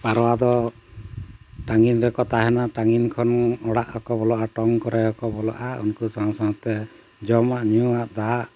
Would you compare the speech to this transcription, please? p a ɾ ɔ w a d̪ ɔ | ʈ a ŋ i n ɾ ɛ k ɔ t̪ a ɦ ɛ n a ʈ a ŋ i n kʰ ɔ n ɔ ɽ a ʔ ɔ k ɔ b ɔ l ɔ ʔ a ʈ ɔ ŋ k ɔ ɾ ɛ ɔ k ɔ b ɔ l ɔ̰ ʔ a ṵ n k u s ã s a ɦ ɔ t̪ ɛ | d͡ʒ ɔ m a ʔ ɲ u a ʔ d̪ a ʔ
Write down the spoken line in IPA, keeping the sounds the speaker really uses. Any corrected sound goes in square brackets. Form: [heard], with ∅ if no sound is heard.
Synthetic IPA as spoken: p a ɾ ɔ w a d̪ ɔ | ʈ a ŋ i n ɾ ɛ k ɔ t̪ a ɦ ɛ n a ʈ a ŋ i n kʰ ɔ n ɔ ɽ a ʔ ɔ k ɔ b ɔ l ɔ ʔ a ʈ ɔ ŋ k ɔ ɾ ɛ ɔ k ɔ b ɔ l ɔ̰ ʔ a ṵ n k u s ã s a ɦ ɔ t̪ ɛ | d͡ʒ ɔ m a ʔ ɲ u a ʔ d̪ a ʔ